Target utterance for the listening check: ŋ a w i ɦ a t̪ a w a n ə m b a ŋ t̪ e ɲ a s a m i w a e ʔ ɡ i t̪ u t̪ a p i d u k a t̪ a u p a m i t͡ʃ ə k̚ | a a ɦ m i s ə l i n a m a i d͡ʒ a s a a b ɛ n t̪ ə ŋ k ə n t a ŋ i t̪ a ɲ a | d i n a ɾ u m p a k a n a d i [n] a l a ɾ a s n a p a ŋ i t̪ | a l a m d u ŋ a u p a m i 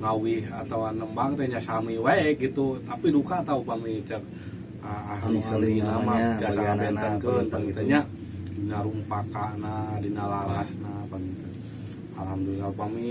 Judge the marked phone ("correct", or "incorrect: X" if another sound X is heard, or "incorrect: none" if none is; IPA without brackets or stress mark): correct